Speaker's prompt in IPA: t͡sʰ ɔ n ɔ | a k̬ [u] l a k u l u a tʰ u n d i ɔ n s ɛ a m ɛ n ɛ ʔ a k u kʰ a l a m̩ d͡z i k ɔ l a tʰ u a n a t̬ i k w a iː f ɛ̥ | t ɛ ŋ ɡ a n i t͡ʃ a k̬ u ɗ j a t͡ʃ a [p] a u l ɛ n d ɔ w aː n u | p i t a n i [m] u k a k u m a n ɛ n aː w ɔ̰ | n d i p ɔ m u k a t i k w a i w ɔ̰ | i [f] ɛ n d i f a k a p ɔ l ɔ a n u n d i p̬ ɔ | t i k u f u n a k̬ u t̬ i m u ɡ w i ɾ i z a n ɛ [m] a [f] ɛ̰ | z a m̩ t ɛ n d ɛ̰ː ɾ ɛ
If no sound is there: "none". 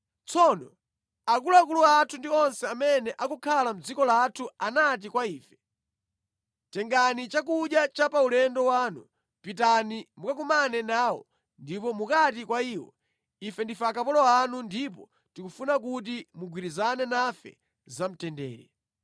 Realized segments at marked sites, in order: u, p, m, f, n, f

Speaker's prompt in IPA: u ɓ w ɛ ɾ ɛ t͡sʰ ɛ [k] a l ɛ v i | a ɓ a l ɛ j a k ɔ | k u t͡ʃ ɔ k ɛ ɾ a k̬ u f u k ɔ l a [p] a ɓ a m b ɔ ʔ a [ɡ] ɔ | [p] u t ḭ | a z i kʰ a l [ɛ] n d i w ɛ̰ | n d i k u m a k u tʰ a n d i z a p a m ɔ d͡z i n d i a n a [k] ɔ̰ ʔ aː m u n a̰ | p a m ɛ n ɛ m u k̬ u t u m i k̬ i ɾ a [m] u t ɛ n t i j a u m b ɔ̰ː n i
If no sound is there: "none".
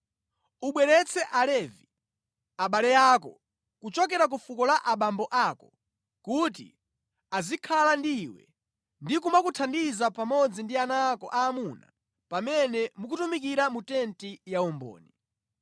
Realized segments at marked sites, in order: ʔ, ʔ, k, k, a, k, m

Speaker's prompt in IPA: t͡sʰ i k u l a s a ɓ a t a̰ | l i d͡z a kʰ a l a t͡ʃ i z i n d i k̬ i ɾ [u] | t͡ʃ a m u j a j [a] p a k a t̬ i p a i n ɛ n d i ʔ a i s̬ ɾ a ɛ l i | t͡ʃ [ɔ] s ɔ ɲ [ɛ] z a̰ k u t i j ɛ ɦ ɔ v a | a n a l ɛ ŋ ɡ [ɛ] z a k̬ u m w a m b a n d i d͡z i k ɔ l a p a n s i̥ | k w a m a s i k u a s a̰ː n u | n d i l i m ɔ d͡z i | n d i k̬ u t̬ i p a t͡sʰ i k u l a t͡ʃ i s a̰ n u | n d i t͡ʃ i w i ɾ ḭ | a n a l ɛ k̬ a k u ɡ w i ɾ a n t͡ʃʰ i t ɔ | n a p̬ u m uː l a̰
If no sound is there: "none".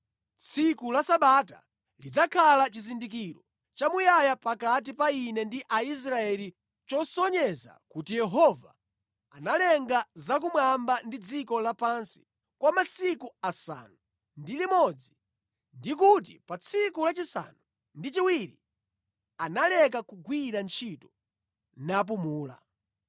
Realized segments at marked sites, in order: ɔ, a, ɔ, ɛ, a

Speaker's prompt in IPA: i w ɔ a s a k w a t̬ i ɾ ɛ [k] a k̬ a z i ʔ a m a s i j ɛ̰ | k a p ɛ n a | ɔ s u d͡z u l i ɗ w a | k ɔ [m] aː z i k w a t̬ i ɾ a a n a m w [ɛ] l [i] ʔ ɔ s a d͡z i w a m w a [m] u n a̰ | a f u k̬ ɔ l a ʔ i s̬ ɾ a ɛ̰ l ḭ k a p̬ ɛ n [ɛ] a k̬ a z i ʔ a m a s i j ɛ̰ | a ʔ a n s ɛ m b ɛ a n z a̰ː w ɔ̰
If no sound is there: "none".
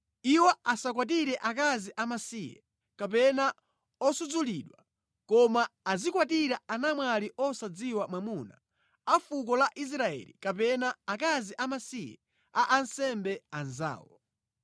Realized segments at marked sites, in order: ʔ, m, a, i, m, a

